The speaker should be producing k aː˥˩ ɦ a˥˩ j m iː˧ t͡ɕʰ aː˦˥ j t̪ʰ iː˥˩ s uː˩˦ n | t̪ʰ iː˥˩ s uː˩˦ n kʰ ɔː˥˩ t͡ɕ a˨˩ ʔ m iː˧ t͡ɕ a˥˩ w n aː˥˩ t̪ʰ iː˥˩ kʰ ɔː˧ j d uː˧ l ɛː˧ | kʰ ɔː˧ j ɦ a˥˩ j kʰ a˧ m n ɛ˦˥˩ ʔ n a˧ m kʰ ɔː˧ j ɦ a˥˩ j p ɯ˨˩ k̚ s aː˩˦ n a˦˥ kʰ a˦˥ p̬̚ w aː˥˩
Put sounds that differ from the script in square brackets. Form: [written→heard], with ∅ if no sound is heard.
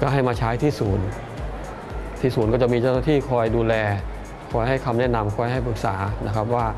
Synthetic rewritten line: k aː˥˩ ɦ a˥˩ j m [iː˧→aː˧] t͡ɕʰ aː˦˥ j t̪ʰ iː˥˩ s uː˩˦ n | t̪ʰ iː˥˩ s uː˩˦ n [kʰ→k] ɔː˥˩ t͡ɕ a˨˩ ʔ m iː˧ t͡ɕ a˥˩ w n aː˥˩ t̪ʰ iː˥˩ kʰ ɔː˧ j d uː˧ l ɛː˧ | kʰ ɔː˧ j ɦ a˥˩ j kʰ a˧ m n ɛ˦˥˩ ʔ n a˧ m kʰ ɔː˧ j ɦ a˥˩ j p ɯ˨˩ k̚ s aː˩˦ n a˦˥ kʰ a˦˥ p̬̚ w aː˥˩